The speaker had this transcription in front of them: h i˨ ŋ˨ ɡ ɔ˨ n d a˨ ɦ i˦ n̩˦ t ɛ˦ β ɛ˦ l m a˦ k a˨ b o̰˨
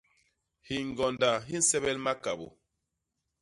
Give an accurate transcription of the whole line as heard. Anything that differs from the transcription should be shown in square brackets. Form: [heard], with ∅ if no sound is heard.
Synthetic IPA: h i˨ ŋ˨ ɡ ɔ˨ n d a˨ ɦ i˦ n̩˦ [s] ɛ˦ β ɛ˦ l m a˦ k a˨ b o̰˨